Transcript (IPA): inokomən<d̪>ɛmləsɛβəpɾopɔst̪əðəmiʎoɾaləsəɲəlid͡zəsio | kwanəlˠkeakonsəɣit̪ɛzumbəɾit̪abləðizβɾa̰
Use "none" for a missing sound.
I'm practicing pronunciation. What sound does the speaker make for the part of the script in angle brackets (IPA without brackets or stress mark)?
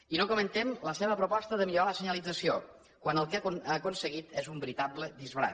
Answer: t̪